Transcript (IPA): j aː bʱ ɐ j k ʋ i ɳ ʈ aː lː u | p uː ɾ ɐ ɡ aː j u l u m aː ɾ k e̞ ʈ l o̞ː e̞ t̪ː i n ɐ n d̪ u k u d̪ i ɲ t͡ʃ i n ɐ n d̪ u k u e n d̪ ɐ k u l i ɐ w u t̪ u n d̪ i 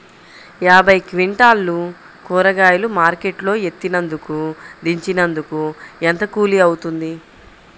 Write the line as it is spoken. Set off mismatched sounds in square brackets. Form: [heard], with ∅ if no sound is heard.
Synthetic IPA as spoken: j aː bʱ ɐ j k ʋ i ɳ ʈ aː lː u | [k] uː ɾ ɐ ɡ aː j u l u m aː ɾ k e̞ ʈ l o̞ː e̞ t̪ː i n ɐ n d̪ u k u d̪ i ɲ t͡ʃ i n ɐ n d̪ u k u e n [t̪] ɐ k [uː] l i ɐ w u t̪ u n d̪ i